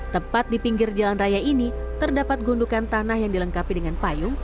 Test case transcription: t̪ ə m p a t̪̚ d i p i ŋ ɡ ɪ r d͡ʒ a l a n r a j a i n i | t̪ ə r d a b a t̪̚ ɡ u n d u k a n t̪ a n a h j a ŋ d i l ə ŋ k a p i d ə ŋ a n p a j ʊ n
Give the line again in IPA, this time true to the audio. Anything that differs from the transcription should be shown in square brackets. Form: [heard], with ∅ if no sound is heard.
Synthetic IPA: t̪ ə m p a t̪̚ d i p i ŋ ɡ ɪ r d͡ʒ a l a n r a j a i n i | t̪ ə r d a [p] a t̪̚ ɡ u n d u k a n t̪ a n a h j a ŋ d i l ə ŋ k a p i d ə ŋ a n p a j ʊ [ŋ]